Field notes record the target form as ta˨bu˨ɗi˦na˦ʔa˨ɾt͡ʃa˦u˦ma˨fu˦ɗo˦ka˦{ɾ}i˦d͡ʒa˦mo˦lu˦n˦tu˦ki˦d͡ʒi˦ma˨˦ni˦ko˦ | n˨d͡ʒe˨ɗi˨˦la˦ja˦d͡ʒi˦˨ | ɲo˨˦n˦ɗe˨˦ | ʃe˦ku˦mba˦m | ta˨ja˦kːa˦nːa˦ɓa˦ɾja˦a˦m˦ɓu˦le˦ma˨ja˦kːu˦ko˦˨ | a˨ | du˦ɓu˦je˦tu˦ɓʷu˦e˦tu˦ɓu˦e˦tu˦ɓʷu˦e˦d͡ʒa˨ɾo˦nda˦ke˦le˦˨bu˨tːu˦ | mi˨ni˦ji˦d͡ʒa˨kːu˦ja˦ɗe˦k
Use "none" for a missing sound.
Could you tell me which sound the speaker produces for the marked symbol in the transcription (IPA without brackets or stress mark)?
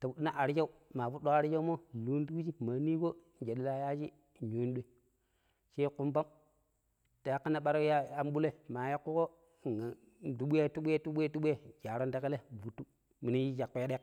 ɾ